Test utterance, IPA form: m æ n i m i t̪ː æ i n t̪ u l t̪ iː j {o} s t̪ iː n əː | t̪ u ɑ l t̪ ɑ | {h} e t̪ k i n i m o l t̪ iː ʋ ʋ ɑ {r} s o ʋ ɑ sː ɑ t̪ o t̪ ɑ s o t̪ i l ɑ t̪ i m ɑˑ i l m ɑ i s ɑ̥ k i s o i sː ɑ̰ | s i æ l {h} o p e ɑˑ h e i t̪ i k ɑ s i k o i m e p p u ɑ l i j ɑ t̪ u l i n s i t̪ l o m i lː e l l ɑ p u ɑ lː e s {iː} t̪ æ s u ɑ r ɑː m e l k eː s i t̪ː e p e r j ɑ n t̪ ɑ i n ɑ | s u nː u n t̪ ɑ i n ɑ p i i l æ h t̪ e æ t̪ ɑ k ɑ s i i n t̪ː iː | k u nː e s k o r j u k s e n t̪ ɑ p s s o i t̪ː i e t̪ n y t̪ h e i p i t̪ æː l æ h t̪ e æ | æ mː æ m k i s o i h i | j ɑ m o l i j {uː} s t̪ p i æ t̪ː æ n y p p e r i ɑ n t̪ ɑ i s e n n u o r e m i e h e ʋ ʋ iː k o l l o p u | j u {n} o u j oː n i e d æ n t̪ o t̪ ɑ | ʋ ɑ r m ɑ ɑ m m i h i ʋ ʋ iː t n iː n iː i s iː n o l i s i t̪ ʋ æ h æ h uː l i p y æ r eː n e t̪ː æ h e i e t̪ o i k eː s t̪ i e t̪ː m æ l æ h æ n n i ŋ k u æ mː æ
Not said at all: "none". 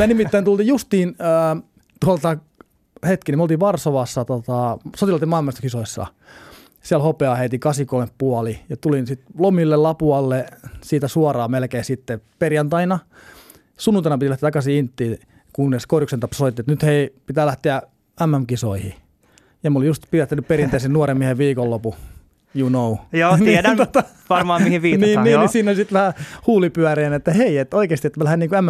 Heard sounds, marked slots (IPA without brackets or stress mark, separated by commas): u, h, r, h, iː, u, n